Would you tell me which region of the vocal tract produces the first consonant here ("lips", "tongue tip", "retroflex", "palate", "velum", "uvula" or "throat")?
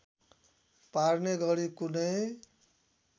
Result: lips